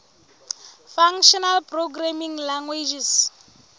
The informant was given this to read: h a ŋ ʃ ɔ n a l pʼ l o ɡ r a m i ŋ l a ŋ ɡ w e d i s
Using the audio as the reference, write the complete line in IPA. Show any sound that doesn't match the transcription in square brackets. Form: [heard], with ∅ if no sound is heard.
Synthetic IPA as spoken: [f] a ŋ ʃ ɔ n a l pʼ [r] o ɡ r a m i ŋ l a ŋ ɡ w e [d͡ʒ] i s